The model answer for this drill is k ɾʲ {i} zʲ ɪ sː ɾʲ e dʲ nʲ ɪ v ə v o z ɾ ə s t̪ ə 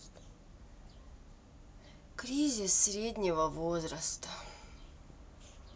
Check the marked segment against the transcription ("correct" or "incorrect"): correct